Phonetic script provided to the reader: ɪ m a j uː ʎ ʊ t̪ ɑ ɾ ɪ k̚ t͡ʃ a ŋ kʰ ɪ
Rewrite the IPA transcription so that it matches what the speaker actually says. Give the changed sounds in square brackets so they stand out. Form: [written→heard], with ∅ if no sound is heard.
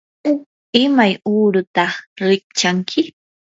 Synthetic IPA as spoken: ɪ m a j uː [ʎ→ɾ] ʊ t̪ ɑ ɾ ɪ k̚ t͡ʃ a ŋ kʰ ɪ